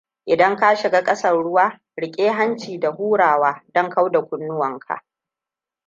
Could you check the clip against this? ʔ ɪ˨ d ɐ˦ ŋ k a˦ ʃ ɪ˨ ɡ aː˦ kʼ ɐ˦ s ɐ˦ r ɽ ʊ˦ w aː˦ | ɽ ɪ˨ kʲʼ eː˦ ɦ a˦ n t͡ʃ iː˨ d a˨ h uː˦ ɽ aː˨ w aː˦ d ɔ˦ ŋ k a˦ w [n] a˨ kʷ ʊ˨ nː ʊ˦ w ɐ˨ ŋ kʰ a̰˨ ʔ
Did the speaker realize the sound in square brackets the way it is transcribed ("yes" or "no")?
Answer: no